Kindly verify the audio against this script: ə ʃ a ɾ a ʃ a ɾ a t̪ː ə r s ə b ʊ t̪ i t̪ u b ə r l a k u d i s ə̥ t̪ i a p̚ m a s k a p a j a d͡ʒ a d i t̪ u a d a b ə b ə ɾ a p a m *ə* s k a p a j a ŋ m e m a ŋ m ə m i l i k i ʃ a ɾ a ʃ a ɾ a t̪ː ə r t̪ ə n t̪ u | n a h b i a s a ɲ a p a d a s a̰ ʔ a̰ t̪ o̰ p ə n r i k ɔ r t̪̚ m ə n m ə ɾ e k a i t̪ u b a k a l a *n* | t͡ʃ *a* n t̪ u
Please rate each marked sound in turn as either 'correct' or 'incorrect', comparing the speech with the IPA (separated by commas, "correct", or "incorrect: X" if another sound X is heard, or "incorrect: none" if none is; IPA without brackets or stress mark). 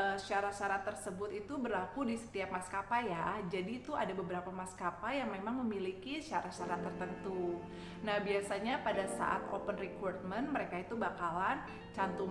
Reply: incorrect: a, correct, correct